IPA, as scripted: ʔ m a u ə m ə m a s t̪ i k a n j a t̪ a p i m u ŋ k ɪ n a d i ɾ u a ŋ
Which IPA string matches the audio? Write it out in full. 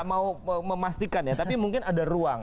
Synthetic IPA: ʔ m a u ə m ə m a s t̪ i k a n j a t̪ a p i m u ŋ k ɪ n a d a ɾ u a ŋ